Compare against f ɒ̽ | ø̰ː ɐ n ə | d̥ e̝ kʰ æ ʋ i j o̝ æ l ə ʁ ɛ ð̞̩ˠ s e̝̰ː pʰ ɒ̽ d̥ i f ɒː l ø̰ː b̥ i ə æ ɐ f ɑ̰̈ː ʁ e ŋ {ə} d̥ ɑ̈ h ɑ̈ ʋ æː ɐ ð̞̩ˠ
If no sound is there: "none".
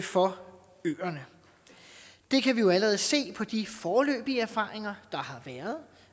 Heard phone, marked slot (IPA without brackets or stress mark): ɐ